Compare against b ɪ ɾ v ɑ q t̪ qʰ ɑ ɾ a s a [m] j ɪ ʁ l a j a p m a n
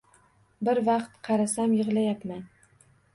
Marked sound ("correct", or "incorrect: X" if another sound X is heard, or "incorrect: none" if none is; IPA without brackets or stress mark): correct